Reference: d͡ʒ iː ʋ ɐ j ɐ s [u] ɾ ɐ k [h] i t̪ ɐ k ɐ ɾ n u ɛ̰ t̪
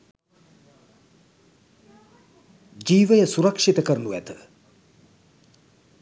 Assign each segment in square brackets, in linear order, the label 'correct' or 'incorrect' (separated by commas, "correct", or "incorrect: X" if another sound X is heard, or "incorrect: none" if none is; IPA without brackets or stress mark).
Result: correct, incorrect: ʂ